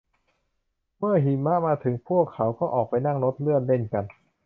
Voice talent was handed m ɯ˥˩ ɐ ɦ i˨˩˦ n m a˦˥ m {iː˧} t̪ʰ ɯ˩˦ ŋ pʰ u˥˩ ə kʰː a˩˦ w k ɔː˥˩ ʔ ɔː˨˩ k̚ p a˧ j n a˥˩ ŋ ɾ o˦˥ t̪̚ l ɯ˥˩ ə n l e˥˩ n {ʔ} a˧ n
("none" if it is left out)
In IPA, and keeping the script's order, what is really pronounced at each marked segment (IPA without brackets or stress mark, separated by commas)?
aː˧, k